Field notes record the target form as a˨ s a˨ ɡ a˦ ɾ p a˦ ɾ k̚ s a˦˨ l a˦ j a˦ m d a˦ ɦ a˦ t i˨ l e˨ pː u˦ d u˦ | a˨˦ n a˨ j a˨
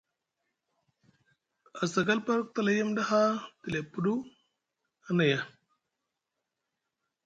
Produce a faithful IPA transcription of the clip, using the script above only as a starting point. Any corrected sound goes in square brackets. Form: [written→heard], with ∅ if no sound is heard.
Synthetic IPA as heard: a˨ s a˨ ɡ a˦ [ɾ→l] p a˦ ɾ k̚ [s→t] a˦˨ l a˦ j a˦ m d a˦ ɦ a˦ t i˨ l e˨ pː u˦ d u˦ | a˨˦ n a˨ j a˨